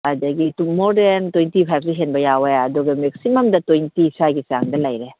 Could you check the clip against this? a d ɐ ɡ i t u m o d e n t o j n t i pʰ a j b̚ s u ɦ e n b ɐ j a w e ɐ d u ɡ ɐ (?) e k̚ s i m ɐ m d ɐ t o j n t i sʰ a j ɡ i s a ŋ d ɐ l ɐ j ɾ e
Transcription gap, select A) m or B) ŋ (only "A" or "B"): A